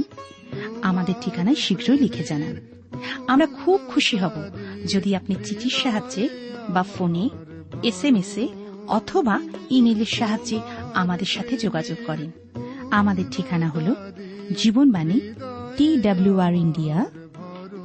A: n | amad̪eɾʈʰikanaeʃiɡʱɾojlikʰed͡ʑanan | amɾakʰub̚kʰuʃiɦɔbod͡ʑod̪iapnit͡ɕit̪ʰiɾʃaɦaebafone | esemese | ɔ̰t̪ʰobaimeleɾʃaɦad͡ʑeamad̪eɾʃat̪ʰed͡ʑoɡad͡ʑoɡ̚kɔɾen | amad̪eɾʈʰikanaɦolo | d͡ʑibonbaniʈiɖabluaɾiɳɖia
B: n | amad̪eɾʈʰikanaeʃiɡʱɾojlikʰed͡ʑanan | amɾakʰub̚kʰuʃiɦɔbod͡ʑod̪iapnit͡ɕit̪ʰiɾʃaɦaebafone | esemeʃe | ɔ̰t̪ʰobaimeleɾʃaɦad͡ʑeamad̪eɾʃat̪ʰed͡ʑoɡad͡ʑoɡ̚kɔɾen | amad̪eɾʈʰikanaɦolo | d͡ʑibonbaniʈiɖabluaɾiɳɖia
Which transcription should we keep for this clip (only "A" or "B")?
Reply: A